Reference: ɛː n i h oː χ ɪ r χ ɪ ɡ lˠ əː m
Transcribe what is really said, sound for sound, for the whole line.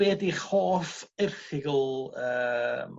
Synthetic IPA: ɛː d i χ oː f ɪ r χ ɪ ɡ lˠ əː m